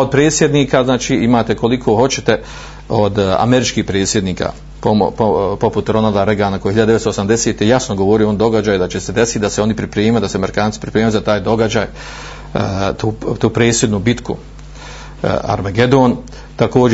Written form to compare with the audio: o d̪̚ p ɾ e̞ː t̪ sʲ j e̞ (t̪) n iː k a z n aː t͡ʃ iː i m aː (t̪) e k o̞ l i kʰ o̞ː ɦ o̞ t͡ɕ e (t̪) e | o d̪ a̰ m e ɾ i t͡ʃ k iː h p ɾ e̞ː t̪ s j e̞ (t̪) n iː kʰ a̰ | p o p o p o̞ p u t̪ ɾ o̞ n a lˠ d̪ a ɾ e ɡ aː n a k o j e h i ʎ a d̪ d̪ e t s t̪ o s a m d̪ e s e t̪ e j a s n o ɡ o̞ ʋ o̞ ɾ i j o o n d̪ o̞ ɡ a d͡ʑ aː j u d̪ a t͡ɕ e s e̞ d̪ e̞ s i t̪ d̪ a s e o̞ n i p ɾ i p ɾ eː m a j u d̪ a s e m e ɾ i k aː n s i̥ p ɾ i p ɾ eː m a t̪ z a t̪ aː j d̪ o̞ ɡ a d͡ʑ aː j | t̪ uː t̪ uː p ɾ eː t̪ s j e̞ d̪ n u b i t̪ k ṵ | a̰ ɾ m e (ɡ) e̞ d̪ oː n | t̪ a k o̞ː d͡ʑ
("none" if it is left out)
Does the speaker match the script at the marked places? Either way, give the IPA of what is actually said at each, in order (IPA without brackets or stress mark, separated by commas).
d̪, t̪, t̪, d̪, ɡ